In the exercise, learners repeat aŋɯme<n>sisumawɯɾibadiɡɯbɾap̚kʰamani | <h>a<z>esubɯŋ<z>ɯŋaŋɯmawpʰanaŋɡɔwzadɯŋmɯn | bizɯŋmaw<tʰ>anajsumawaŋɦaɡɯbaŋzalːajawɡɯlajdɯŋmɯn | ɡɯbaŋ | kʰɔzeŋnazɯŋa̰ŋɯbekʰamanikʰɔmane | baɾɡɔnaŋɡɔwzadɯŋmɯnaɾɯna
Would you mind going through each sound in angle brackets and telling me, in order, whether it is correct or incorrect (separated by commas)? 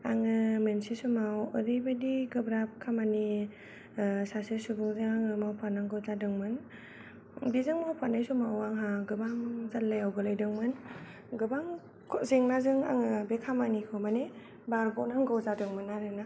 correct, incorrect, incorrect, correct, incorrect